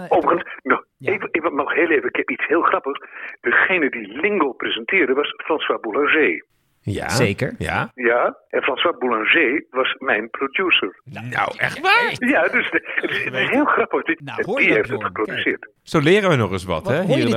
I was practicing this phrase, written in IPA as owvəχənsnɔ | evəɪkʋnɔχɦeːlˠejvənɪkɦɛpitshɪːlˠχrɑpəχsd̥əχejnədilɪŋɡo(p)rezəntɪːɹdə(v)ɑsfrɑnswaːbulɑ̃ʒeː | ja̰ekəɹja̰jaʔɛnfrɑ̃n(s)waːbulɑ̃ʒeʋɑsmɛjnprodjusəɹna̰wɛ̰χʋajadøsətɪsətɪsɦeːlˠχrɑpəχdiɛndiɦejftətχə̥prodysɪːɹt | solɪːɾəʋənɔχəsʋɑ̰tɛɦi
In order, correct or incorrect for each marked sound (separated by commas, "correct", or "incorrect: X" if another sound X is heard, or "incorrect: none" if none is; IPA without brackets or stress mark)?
correct, incorrect: ʋ, correct